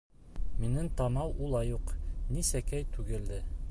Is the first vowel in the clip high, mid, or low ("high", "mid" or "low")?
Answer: high